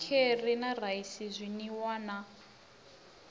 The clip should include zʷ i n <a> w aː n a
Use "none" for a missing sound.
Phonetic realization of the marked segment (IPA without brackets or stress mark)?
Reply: i